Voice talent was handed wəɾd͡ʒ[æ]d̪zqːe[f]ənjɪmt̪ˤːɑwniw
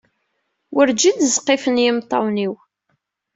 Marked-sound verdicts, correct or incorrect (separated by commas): incorrect, correct